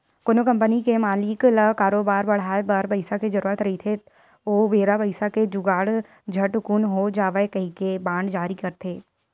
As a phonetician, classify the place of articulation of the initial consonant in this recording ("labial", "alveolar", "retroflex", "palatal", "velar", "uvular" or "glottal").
velar